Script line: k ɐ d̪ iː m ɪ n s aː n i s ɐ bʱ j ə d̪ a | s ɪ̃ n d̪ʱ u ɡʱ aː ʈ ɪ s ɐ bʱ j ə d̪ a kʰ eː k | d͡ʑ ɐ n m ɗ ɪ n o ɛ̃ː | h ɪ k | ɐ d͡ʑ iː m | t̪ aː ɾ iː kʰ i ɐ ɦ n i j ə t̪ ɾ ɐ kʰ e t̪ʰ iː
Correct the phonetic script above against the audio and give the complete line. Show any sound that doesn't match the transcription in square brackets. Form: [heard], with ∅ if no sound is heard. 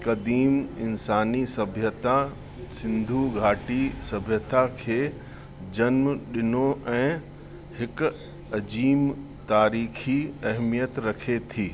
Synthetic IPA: k ɐ d̪ iː m ɪ n s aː n i s ɐ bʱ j ə [t̪] a | s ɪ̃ n d̪ʱ u ɡʱ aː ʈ [i] s ɐ bʱ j ə [t̪] a kʰ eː [∅] | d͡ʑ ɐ n m ɗ ɪ n o ɛ̃ː | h ɪ k | ɐ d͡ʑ iː m | t̪ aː ɾ iː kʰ i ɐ ɦ [m] i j ə t̪ ɾ ɐ kʰ e t̪ʰ iː

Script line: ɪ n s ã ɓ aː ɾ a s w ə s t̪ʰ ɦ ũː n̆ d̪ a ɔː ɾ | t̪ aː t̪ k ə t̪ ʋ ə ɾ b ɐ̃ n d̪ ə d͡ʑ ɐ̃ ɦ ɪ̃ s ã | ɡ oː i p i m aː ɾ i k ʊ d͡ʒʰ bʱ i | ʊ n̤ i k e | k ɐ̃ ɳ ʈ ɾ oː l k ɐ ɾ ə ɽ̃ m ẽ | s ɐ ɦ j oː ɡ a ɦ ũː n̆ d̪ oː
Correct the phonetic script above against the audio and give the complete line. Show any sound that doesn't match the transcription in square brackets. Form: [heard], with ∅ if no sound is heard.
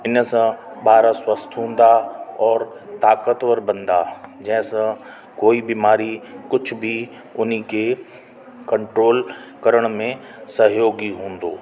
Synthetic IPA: ɪ n s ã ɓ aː ɾ a s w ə s t̪ʰ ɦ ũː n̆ d̪ a ɔː ɾ | t̪ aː [∅] k ə t̪ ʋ ə ɾ b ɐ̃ n d̪ [a] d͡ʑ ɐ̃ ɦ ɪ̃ s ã | [k] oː i [b] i m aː ɾ i k ʊ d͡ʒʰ bʱ i | ʊ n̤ i k e | k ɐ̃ ɳ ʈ ɾ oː l k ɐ ɾ ə ɽ̃ m ẽ | s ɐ ɦ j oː ɡ [i] ɦ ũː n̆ d̪ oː

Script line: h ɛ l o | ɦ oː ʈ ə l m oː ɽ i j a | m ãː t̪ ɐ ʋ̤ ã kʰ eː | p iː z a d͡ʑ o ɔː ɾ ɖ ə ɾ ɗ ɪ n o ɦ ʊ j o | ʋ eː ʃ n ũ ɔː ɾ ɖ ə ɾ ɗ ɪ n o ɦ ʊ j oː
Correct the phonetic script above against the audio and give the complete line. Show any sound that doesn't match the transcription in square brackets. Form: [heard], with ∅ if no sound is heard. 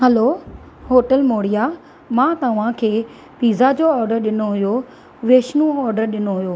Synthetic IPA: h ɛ l o | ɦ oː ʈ ə l m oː ɽ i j a | m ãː t̪ ɐ ʋ̤ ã kʰ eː | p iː z a d͡ʑ o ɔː ɾ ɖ ə ɾ ɗ ɪ n o ɦ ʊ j o | ʋ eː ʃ n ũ ɔː ɾ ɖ ə ɾ ɗ ɪ n o ɦ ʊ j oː

